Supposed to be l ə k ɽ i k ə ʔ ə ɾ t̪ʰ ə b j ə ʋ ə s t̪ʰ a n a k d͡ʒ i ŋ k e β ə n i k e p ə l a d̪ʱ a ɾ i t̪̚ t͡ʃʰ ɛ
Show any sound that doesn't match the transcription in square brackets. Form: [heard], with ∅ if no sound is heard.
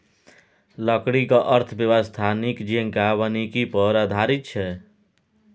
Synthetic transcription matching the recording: l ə k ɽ i k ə ʔ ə ɾ t̪ʰ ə b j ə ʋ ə s t̪ʰ a n [i] k d͡ʒ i ŋ k [a] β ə n i k [i] p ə [ɾ] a d̪ʱ a ɾ i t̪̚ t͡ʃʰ ɛ